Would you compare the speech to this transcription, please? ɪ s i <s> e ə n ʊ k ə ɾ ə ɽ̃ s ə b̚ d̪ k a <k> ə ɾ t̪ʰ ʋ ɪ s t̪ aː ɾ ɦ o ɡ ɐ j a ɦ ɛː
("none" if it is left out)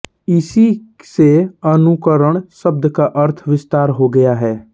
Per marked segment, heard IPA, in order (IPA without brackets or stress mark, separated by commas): s, ʔ